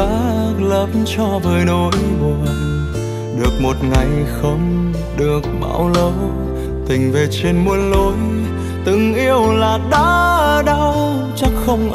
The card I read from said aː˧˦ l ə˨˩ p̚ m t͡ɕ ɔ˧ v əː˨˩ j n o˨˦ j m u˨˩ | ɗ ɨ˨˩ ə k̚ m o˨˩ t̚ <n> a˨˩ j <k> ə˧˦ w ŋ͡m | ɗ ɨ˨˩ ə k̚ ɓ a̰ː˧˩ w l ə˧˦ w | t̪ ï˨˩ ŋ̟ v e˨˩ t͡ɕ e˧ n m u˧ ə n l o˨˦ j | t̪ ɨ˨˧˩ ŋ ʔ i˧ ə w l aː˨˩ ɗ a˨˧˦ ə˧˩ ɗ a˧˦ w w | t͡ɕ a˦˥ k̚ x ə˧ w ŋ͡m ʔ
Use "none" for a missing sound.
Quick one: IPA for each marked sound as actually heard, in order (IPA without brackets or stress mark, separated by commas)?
ŋ, x